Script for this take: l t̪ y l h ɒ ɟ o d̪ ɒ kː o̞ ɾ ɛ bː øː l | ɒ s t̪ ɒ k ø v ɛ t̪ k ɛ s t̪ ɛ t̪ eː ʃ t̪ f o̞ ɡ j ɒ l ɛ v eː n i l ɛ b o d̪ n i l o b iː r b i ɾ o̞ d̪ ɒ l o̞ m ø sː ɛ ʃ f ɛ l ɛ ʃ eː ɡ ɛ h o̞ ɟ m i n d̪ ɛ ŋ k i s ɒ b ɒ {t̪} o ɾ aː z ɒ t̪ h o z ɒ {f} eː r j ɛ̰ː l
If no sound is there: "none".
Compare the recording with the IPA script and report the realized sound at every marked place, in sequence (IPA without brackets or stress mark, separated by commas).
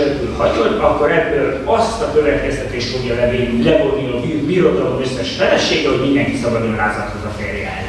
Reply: d̪, f